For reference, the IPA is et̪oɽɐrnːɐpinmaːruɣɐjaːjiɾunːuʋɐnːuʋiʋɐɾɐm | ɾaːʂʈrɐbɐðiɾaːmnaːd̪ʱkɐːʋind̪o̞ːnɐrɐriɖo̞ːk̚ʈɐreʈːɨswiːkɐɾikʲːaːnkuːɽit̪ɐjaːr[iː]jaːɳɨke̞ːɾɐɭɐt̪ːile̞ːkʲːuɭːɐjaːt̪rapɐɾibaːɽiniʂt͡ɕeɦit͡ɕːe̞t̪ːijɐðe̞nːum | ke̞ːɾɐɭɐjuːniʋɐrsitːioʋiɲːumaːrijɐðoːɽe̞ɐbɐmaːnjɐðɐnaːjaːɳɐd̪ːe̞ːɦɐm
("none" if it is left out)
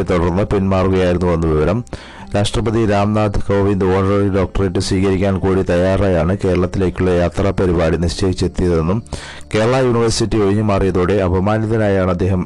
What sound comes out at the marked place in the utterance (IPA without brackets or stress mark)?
aː